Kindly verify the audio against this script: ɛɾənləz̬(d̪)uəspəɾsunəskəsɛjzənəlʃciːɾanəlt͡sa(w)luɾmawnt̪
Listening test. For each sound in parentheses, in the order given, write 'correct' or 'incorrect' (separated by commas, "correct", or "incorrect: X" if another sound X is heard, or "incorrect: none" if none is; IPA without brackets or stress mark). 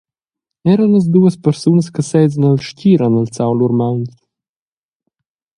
correct, correct